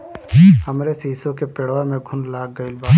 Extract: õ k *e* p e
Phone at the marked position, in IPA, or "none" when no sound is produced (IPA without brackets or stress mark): e